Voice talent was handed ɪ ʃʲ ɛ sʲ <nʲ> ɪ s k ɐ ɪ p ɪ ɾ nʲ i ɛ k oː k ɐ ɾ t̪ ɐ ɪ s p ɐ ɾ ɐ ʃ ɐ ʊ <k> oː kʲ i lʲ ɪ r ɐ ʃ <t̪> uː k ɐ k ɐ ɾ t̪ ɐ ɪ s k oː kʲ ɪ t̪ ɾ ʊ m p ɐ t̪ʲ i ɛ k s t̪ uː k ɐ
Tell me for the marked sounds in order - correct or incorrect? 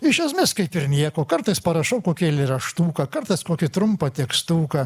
incorrect: mʲ, correct, correct

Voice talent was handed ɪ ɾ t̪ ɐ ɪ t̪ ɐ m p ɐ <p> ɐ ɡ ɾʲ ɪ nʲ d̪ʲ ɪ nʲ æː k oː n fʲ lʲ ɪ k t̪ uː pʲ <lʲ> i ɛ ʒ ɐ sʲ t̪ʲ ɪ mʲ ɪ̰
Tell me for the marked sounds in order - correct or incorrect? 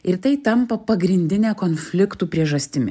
correct, incorrect: ɾʲ

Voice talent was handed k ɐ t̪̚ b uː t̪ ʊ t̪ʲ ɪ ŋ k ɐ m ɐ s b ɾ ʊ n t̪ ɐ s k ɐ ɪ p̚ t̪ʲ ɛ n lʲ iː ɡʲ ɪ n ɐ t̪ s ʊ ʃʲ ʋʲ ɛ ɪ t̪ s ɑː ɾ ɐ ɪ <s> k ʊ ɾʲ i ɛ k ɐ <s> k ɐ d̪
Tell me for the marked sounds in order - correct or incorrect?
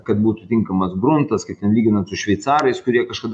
correct, incorrect: ʃ

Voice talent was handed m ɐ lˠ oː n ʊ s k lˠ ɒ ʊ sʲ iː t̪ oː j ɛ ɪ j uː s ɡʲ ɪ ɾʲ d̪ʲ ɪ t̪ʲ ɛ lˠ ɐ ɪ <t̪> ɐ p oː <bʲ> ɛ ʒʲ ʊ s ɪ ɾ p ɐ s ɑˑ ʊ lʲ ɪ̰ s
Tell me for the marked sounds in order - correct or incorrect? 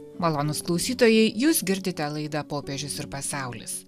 incorrect: d̪, incorrect: pʲ

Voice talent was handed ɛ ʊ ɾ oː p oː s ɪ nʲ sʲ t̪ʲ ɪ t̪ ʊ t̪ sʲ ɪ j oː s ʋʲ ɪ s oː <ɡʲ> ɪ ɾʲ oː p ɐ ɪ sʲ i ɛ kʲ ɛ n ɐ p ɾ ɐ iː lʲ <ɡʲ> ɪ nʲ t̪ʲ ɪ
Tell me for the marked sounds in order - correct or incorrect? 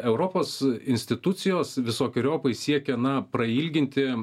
incorrect: kʲ, correct

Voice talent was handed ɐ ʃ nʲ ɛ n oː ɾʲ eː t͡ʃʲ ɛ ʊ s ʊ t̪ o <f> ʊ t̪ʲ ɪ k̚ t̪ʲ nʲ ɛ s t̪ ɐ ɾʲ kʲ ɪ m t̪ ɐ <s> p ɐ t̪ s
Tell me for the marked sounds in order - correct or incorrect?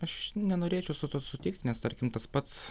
incorrect: s, correct

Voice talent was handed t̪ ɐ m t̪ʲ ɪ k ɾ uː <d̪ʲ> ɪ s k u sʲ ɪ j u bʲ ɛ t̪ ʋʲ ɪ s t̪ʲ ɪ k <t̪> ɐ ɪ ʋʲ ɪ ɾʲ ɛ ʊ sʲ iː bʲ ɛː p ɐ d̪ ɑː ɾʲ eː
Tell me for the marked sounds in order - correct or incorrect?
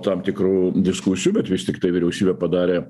correct, correct

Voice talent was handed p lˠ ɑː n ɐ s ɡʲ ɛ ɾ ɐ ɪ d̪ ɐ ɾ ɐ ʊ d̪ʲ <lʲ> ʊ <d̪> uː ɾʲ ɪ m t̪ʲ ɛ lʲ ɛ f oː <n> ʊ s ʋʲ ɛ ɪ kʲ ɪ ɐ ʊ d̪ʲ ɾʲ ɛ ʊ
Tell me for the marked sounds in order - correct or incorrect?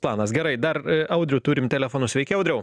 incorrect: ɾʲ, incorrect: t̪, correct

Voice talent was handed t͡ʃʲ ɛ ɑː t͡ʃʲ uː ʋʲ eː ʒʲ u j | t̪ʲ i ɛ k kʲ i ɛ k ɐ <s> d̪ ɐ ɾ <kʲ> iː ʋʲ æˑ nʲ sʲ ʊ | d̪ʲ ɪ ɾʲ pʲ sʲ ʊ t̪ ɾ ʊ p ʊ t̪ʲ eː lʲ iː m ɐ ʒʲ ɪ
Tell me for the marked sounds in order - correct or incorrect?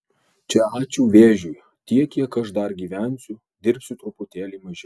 incorrect: ʃ, incorrect: ɡʲ

